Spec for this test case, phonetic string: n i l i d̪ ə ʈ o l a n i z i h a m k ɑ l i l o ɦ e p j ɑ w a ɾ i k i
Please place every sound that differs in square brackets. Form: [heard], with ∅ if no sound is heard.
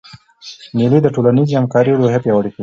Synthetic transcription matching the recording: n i l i d̪ ə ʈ o l a n i z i h a m k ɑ [ɾ] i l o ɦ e p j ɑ w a [ɽ] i k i